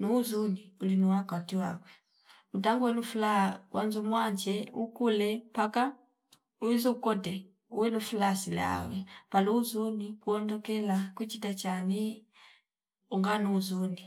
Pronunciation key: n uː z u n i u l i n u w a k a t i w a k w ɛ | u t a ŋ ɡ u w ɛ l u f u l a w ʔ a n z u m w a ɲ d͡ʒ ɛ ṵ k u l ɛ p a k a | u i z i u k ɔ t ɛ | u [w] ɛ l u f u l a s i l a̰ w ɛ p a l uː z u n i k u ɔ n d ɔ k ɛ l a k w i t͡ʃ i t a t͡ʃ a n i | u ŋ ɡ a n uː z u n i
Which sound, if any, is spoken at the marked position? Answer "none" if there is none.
w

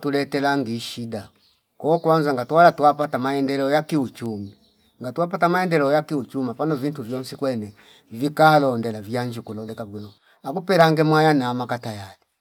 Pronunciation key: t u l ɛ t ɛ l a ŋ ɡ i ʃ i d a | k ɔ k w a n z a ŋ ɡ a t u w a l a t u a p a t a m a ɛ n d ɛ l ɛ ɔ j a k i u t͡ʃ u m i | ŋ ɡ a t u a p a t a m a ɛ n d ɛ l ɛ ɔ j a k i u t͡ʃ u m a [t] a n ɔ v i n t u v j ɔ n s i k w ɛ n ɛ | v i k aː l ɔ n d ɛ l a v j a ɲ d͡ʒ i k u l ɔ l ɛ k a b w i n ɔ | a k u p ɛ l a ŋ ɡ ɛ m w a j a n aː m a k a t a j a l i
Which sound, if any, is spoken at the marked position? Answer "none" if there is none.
p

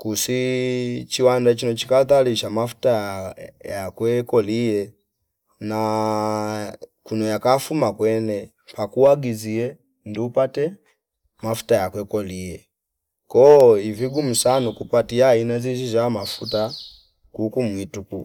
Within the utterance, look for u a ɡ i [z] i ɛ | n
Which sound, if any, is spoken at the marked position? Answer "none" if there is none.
z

